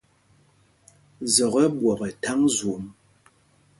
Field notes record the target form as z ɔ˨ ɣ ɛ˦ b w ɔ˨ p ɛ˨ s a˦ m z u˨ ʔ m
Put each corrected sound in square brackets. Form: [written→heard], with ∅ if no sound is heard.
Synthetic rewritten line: z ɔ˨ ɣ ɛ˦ b w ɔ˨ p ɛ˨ [s→t] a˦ [m→ŋ] z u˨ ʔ m